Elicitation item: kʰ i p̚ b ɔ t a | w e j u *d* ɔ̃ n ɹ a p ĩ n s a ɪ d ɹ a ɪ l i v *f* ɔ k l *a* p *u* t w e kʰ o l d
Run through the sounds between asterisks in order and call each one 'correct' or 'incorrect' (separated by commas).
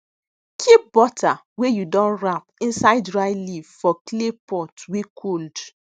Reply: correct, correct, incorrect, incorrect